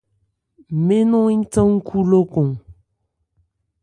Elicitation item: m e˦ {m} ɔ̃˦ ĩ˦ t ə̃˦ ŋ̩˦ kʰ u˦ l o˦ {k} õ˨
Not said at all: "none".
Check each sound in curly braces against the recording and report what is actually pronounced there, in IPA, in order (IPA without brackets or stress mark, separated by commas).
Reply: n, k